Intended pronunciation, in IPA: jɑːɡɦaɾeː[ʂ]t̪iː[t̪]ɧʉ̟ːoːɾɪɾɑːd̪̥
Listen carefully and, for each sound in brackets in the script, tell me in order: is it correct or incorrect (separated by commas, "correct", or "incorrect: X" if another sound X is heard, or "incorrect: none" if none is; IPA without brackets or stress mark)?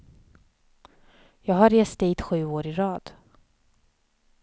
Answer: incorrect: s, correct